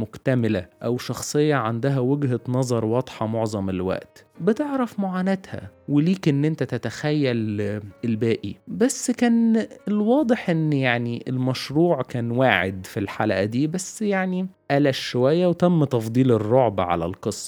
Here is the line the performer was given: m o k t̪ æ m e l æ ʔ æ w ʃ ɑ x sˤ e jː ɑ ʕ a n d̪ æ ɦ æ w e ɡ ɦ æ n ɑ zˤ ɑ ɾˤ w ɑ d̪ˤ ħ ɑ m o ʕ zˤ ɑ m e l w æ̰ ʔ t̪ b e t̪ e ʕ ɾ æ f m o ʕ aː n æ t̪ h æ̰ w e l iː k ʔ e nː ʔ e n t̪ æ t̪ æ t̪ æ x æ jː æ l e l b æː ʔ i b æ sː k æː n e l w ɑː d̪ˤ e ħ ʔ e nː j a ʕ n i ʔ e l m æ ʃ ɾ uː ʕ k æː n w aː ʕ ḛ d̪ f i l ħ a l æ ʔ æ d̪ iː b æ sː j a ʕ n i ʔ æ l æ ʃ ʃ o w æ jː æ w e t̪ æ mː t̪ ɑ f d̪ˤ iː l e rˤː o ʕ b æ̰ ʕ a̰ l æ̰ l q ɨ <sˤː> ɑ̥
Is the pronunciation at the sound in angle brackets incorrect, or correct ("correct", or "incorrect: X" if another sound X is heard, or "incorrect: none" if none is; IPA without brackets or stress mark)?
correct